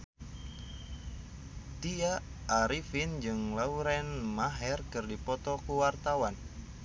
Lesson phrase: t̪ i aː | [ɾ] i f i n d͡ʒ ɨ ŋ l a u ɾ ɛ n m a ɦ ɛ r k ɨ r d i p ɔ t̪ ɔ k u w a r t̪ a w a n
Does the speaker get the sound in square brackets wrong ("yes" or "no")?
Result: no